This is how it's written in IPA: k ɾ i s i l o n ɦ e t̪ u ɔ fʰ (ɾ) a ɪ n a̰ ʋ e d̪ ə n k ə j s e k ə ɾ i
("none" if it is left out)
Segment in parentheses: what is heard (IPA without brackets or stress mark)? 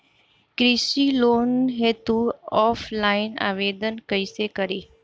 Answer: l